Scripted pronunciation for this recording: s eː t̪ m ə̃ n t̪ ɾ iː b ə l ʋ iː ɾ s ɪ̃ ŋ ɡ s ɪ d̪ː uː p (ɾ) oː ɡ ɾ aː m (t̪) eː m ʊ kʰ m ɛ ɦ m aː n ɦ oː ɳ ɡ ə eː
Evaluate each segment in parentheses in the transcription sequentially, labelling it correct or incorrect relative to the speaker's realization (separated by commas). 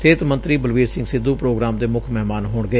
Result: correct, incorrect